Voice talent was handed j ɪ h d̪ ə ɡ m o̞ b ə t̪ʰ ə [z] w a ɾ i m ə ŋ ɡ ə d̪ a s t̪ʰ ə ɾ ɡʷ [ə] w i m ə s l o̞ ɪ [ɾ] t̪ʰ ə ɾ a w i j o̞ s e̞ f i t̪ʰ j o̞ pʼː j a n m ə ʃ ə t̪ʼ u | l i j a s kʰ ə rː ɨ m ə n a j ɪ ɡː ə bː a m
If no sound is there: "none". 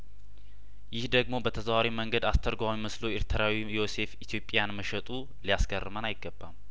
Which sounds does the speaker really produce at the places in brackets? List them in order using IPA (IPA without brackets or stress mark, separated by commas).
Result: z, a, ɾ